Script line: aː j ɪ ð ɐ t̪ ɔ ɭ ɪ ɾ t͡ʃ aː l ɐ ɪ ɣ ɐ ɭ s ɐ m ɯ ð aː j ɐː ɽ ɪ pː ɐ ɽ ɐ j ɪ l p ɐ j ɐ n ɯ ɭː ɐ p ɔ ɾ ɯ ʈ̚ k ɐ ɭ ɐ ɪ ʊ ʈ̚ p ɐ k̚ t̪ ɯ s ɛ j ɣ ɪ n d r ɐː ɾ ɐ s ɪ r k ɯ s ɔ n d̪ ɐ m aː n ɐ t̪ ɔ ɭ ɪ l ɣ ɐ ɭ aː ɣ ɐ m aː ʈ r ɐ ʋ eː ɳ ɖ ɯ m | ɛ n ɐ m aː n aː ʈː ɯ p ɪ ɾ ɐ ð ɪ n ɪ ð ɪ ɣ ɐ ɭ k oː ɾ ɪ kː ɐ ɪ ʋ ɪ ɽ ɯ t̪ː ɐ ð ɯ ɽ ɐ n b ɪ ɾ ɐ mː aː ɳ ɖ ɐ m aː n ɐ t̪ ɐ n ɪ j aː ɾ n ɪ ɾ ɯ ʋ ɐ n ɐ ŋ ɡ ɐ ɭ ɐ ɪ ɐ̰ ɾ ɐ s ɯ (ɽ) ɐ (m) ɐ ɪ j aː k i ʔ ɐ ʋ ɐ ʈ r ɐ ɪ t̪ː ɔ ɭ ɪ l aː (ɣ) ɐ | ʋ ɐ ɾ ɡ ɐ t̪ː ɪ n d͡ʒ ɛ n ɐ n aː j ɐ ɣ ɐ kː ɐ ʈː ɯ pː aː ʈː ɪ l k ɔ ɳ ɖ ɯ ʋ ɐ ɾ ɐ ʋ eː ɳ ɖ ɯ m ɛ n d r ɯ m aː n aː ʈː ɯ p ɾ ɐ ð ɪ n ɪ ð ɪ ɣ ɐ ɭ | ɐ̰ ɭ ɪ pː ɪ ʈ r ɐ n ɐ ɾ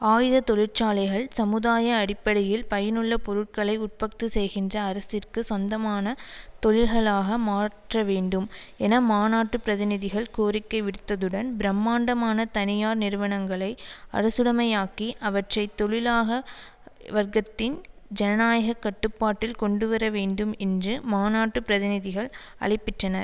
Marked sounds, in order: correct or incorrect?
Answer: correct, correct, correct

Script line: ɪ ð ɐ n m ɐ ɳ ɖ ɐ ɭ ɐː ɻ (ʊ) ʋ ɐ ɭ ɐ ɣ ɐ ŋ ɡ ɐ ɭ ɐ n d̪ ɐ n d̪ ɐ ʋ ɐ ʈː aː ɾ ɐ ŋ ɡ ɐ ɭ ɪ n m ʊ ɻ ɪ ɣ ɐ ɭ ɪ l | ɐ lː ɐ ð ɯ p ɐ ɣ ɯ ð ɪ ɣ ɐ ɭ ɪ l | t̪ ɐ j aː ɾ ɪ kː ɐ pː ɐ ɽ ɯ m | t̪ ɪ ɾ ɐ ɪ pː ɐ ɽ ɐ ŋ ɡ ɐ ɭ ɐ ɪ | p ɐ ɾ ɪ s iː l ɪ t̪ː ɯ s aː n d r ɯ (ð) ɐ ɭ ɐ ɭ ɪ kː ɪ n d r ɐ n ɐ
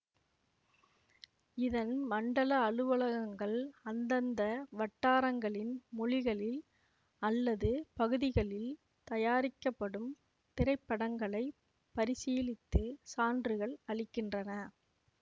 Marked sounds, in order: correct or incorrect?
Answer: incorrect, incorrect

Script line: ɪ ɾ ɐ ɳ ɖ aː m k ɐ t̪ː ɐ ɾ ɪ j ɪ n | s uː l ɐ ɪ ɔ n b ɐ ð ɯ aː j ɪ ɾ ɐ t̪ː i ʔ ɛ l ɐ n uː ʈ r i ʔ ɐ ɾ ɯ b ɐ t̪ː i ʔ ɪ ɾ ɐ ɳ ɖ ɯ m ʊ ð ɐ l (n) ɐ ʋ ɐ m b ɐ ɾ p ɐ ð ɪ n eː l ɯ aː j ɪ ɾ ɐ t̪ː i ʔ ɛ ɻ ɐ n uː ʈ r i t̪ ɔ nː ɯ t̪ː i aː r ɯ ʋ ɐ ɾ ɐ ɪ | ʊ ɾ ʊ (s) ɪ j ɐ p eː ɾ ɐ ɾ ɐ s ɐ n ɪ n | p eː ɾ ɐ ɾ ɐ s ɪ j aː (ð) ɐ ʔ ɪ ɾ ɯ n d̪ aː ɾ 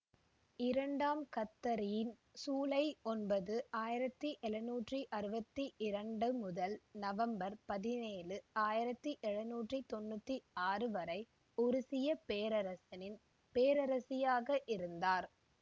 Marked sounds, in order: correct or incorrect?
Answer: correct, correct, incorrect

